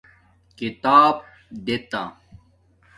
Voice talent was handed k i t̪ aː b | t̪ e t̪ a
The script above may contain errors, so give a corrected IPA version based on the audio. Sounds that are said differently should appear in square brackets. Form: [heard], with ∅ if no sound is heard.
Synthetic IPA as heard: k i t̪ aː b | [d̪] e t̪ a